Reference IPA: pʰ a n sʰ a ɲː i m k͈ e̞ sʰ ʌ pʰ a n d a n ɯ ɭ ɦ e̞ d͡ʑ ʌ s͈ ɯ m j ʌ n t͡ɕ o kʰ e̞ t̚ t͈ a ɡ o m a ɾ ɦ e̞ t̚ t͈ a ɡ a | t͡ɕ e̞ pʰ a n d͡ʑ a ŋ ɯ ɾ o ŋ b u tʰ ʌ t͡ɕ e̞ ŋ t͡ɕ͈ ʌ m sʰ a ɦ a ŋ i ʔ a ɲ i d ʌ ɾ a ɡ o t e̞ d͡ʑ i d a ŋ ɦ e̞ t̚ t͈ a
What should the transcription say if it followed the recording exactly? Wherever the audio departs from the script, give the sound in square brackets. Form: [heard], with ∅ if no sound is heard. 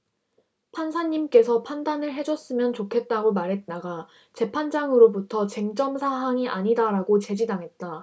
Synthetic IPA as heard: pʰ a n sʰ a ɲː i m k͈ e̞ sʰ ʌ pʰ a n d a n ɯ ɭ ɦ e̞ d͡ʑ ʌ s͈ ɯ m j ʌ n t͡ɕ o kʰ e̞ t̚ t͈ a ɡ o m a ɾ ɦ e̞ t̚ t͈ a ɡ a | t͡ɕ e̞ pʰ a n d͡ʑ a ŋ ɯ ɾ o [∅] b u tʰ ʌ t͡ɕ e̞ ŋ t͡ɕ͈ ʌ m sʰ a ɦ a ŋ i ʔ a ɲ i d [a] ɾ a ɡ o [t͡ɕ] e̞ d͡ʑ i d a ŋ ɦ e̞ t̚ t͈ a